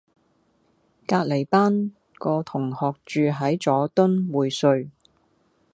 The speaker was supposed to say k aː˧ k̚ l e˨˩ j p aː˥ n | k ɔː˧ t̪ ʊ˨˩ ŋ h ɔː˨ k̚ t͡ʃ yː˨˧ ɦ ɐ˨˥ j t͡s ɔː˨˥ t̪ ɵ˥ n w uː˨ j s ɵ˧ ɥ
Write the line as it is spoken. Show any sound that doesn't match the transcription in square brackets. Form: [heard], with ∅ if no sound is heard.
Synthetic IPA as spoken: k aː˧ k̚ l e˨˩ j p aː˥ n | k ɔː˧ [t̪ʰ] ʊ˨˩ ŋ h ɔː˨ k̚ t͡ʃ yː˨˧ ɦ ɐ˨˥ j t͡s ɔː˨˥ t̪ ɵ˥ n w uː˨ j s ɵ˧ ɥ